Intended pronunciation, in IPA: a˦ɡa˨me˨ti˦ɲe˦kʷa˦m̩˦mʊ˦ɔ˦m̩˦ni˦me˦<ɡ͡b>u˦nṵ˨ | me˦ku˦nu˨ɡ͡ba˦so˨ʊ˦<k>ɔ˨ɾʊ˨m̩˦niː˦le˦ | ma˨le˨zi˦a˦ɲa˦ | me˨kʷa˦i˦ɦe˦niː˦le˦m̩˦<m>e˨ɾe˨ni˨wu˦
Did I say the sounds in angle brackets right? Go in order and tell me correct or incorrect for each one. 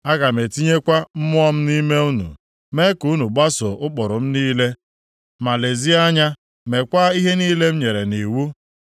incorrect, incorrect, incorrect

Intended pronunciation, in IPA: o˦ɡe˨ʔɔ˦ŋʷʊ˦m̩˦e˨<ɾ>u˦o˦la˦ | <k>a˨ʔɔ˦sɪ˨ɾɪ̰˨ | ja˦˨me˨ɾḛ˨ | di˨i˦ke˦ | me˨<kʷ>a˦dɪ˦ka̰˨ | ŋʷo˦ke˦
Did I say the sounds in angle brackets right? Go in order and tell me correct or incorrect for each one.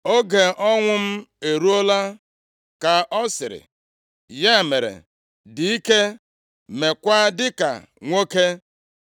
correct, correct, correct

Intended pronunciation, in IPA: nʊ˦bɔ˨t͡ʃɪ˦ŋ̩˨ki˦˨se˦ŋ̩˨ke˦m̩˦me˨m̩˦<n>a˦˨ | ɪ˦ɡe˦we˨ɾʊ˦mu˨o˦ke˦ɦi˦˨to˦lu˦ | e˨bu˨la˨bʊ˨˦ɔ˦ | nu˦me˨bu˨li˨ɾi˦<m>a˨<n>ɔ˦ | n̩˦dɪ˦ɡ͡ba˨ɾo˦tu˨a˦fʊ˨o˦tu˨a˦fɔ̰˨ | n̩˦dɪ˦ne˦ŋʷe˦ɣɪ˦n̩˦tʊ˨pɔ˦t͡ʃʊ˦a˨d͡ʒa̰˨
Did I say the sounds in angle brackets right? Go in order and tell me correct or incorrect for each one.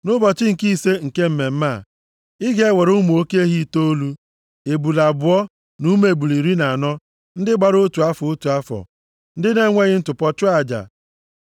incorrect, incorrect, correct

